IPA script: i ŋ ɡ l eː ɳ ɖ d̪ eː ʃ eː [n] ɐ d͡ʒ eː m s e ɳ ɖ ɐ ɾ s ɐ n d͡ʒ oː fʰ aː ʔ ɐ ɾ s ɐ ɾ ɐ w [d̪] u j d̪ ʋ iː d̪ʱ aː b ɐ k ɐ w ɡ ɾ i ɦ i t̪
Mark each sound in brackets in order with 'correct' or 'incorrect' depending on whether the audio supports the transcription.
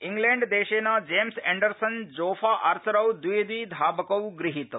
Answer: correct, correct

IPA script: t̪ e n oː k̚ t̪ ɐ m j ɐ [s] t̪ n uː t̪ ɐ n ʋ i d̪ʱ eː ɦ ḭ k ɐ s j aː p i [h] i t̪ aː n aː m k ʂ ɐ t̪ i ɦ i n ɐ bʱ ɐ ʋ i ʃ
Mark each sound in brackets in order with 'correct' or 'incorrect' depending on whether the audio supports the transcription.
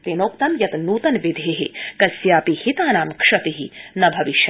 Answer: incorrect, correct

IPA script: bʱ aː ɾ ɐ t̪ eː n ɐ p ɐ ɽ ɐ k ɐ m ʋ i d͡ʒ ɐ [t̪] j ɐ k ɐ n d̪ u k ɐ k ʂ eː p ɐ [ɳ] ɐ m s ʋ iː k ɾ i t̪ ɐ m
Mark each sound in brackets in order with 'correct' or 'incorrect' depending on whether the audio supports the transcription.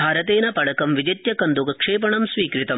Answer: correct, correct

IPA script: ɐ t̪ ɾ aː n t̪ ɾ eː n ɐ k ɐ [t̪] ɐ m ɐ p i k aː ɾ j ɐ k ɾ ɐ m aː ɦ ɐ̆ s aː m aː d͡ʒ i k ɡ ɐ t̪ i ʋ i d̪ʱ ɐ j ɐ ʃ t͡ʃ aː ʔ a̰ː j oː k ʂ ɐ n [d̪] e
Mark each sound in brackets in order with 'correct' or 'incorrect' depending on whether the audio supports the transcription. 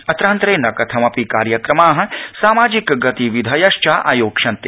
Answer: incorrect, incorrect

